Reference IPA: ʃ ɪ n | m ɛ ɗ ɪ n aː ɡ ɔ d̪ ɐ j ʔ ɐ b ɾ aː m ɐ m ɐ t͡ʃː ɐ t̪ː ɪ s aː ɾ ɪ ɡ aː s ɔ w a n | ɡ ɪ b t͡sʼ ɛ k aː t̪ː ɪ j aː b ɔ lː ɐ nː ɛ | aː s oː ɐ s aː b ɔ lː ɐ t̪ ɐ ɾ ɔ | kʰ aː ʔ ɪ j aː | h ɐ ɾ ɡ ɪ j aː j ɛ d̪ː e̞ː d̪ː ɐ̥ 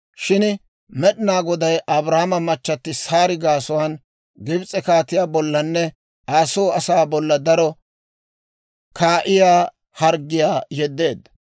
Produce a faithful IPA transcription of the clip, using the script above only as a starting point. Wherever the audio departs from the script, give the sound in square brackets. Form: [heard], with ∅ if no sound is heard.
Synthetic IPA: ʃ ɪ n | m ɛ ɗ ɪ n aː ɡ ɔ d̪ ɐ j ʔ ɐ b ɾ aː m ɐ m ɐ t͡ʃː ɐ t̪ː ɪ s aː ɾ ɪ ɡ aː s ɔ w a n | ɡ ɪ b t͡sʼ ɛ k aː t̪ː ɪ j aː b ɔ lː ɐ nː ɛ | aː s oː ɐ s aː b ɔ lː ɐ [d̪] ɐ ɾ ɔ | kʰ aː ʔ ɪ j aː | h ɐ ɾ ɡ ɪ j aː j ɛ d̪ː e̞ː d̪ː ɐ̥